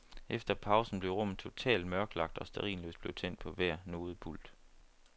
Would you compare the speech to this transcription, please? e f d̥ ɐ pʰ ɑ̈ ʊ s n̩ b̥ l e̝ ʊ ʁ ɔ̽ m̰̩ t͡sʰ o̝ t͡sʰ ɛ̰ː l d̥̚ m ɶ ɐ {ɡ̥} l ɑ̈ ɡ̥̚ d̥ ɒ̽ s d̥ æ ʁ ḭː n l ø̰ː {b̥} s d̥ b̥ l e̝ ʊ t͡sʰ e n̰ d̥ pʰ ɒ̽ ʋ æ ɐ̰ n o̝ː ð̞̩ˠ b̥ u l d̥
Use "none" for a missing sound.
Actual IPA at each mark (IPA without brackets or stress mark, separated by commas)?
ɡ̥, none